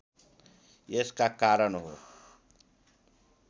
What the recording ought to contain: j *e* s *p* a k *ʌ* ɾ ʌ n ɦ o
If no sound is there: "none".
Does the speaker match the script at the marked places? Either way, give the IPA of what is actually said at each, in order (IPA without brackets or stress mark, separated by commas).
e, k, a